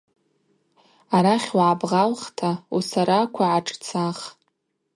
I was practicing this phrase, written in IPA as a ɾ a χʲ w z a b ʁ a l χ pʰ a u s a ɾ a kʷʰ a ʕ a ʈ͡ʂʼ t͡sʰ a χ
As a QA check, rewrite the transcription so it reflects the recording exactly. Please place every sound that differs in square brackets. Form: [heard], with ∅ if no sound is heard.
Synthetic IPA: a ɾ a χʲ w [ʕ] a b ʁ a l χ [tʰ] a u s a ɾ a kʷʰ a ʕ a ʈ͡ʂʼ t͡sʰ a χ

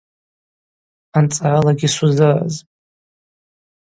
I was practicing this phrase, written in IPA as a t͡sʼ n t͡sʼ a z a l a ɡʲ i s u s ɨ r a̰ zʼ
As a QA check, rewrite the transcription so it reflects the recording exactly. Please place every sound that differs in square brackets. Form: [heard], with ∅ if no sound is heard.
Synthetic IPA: a [∅] n t͡sʼ a [ʕ] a l a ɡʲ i s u [z] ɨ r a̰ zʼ

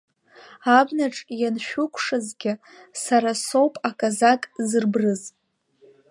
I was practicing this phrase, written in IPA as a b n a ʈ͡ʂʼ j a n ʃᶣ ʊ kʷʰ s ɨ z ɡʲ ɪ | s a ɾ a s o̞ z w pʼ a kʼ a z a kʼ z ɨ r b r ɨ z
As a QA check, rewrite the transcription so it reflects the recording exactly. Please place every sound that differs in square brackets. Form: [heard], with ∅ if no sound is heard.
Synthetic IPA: a b n a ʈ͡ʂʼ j a n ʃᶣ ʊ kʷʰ [ʂ] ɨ z ɡʲ ɪ | s a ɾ a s o̞ [∅] w pʼ a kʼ a z a kʼ z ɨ r b r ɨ z

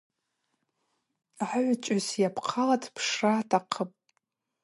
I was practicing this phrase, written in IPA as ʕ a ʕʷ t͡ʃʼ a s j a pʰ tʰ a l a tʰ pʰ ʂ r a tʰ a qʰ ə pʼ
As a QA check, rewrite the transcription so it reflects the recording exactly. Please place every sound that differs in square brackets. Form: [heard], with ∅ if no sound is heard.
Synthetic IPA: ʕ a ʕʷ t͡ʃʼ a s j a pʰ [qʰ] a l a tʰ pʰ ʂ r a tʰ a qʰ ə pʼ

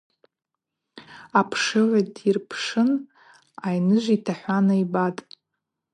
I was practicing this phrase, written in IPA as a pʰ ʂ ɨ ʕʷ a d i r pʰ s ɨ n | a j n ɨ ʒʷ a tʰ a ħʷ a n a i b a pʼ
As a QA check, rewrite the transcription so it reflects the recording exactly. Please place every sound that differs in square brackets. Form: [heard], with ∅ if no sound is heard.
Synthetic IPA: a pʰ ʂ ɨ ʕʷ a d i r pʰ [ʂ] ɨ n | a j n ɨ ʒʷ [i] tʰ a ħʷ a n a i b a [tʼ]

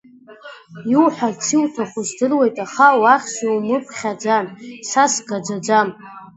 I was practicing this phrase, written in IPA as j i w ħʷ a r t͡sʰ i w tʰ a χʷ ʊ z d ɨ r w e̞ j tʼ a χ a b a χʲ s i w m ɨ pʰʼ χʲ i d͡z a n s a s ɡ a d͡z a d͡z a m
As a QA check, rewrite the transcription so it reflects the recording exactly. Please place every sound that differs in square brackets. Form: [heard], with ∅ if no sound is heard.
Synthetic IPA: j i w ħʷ a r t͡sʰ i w tʰ a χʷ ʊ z d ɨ r w e̞ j tʼ a χ a [w] a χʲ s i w m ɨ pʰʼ χʲ [a] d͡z a n s a s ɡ a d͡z a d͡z a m

